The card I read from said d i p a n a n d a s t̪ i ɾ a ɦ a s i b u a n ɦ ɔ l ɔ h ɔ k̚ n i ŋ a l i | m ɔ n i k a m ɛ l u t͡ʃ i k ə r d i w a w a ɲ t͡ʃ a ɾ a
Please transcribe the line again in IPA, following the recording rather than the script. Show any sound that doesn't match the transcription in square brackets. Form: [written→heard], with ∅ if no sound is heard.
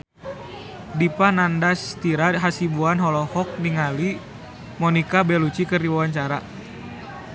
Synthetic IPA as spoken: d i p a n a n d a s t̪ i ɾ a ɦ a s i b u a n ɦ ɔ l ɔ h ɔ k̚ n i ŋ a l i | m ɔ n i k a [m→b] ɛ l u t͡ʃ i k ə r d i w a w a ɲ t͡ʃ a ɾ a